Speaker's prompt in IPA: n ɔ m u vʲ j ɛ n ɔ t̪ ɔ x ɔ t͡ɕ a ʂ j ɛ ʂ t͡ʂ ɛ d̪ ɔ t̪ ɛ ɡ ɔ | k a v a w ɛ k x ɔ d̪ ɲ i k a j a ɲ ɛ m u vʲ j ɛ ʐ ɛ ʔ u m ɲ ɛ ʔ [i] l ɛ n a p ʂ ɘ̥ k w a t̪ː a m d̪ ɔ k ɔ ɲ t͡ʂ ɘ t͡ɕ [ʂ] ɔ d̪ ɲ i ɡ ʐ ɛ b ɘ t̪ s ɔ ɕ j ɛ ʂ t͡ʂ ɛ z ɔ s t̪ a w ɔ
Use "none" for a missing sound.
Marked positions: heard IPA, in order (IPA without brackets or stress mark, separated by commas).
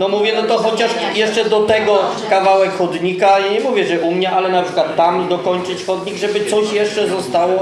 a, x